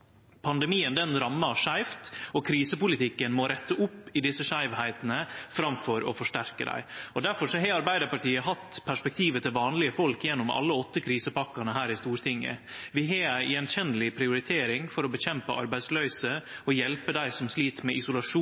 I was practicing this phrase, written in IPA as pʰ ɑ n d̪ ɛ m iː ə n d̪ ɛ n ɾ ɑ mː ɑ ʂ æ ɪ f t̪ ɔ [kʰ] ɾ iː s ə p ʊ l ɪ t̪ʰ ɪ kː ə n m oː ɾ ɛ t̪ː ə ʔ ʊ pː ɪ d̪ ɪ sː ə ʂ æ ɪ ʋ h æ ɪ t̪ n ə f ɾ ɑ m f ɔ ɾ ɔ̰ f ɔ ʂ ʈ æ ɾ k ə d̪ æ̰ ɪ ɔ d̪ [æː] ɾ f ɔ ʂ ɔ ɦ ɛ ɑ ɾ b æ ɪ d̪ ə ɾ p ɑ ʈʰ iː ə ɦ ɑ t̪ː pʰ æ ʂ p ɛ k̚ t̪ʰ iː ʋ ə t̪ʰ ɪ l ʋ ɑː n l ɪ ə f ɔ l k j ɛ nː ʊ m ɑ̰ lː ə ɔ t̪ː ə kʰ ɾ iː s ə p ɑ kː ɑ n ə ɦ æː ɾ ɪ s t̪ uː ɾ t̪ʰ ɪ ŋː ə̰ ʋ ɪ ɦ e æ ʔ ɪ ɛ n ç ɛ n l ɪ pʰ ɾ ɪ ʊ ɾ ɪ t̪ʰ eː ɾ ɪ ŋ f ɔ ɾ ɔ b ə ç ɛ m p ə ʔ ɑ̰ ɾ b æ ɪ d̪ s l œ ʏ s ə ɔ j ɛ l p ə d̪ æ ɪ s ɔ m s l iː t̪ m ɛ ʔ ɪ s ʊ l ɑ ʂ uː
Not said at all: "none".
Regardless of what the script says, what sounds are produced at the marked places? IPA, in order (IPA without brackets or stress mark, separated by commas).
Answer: kʰ, æ